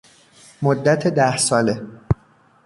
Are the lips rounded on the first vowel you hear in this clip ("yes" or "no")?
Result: yes